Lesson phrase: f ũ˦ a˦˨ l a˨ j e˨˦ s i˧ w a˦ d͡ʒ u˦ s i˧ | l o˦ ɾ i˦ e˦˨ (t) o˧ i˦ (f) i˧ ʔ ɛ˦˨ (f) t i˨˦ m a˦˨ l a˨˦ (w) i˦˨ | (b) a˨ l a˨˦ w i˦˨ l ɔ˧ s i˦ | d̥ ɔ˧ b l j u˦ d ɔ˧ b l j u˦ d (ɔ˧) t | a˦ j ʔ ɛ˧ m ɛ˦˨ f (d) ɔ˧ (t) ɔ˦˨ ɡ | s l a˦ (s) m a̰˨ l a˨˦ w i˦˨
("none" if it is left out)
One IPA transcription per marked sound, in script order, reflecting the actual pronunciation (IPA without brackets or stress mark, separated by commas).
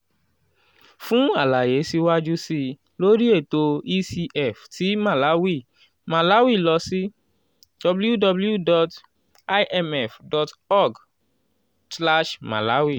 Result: t, s, f, w, m, ɔ˧, d, t, ʃ